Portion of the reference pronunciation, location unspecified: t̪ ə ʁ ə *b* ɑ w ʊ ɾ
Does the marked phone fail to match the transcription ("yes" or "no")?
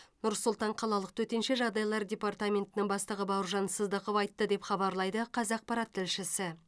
no